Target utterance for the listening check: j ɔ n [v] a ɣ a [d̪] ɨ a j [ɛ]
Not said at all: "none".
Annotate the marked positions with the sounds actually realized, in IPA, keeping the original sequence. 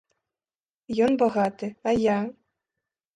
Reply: b, t̪, a

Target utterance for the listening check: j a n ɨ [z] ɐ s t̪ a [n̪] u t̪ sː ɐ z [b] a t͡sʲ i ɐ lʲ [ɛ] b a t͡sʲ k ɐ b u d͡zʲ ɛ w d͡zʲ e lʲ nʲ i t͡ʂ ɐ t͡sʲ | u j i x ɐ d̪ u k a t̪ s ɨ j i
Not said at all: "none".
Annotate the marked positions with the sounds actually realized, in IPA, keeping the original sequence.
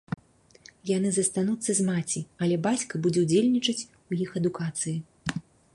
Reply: z, n̪, m, ɛ

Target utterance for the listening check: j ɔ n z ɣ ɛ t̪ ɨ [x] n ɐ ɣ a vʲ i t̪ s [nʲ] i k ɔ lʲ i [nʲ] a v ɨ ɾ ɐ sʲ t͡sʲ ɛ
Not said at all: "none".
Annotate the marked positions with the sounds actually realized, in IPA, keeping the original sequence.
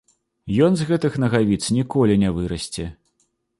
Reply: x, nʲ, nʲ

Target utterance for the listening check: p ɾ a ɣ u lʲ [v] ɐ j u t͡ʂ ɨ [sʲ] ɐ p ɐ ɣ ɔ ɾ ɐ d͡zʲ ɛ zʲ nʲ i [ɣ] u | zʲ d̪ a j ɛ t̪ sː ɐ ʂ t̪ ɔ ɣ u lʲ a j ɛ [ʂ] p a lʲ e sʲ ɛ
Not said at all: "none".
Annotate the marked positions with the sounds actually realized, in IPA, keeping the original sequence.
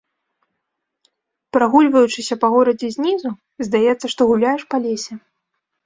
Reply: v, sʲ, z, ʂ

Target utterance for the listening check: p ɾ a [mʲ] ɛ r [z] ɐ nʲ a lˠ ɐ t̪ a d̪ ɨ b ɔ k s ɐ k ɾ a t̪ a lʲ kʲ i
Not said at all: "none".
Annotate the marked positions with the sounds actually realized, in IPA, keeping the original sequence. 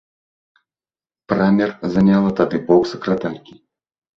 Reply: mʲ, z

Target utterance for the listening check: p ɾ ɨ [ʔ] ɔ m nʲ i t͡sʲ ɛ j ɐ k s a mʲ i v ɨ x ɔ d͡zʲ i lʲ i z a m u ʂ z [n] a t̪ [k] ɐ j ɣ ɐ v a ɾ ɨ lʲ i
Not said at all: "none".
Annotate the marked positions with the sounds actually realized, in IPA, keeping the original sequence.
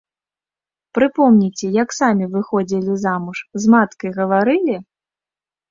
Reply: p, m, k

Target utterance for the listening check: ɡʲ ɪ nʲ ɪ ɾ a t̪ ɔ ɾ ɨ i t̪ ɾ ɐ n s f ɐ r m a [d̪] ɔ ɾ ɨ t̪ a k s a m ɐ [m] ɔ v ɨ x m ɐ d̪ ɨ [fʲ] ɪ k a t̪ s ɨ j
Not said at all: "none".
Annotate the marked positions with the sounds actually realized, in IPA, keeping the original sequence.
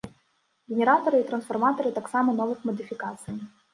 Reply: t̪, n, fʲ

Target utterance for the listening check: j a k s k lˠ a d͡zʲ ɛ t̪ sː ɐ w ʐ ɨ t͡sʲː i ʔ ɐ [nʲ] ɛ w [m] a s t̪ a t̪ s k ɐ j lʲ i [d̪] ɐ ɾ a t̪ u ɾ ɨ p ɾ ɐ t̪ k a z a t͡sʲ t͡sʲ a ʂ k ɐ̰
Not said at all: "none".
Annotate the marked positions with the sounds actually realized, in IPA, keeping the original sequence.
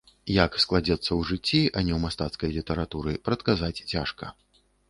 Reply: nʲ, m, t̪

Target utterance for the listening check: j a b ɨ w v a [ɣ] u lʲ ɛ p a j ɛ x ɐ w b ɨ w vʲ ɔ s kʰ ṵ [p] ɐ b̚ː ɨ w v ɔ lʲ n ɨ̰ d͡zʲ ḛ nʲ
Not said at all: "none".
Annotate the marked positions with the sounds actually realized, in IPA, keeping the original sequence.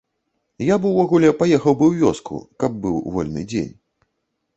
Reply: ɣ, k

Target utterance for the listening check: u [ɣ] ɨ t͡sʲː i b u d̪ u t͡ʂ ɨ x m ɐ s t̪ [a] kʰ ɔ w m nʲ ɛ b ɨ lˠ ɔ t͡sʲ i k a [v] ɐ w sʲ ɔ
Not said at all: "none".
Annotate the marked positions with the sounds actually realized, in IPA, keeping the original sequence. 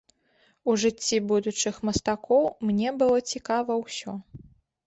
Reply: ʐ, a, v

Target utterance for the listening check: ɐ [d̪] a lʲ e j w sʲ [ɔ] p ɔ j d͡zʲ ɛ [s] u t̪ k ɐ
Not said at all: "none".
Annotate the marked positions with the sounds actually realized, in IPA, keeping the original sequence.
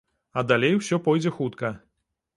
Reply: d̪, ɔ, x

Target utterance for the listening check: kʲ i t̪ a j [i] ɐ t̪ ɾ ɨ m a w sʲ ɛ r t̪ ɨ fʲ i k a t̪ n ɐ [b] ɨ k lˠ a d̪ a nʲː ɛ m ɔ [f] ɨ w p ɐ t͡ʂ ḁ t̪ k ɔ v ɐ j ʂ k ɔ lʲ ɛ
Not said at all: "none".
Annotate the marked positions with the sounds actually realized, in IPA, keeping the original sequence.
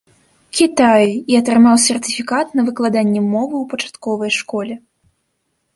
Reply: i, v, v

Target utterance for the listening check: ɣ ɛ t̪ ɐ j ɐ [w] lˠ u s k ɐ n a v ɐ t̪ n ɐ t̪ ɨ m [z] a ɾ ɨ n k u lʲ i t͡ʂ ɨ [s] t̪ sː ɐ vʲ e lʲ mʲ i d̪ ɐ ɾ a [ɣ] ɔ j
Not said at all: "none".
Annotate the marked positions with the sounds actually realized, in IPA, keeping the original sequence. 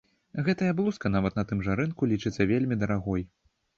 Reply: b, ʐ, none, ɣ

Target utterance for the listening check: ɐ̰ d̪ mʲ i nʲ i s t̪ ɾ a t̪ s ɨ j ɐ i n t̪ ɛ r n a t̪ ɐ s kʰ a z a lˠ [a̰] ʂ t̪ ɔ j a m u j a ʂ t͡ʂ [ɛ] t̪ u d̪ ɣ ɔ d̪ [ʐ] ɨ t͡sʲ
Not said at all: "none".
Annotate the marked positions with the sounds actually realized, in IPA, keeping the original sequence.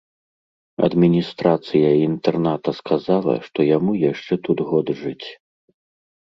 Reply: ɐ̰, ɛ, ʐ

